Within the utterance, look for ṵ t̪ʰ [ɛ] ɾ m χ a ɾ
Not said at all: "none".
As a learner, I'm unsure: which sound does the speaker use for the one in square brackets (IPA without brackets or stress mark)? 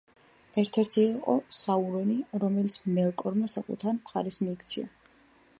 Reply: a